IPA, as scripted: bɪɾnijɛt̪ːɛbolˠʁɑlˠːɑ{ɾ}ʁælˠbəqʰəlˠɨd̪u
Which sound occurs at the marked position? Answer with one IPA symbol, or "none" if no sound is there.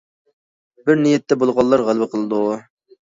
ɾ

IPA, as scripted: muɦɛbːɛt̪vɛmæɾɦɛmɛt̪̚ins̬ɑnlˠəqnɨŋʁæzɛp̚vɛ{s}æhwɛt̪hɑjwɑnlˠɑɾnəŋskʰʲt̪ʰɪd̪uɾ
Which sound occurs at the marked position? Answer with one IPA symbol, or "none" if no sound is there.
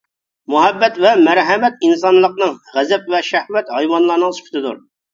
ʃ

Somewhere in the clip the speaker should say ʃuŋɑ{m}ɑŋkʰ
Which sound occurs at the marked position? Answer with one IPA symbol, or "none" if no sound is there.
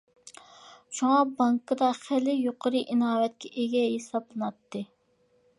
b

